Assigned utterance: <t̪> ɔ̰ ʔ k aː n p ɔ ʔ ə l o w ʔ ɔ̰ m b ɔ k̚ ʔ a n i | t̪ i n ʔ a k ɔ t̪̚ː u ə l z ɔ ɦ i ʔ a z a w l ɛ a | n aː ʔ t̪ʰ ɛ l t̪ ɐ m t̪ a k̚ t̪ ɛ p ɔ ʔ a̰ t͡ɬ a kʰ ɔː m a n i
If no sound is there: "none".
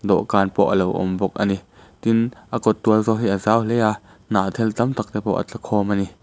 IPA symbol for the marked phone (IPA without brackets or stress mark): d̪